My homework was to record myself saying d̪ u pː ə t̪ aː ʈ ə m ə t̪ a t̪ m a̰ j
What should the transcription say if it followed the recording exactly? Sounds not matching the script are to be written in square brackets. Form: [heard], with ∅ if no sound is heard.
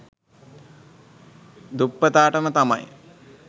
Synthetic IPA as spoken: d̪ u pː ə t̪ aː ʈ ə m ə t̪ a [∅] m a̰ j